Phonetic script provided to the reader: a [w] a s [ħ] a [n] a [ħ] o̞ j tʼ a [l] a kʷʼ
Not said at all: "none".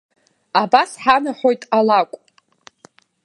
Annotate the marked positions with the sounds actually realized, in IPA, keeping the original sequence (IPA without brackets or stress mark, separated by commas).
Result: b, ħ, n, ħ, l